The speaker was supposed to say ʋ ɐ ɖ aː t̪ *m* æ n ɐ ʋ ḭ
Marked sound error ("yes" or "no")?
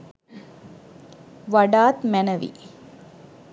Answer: no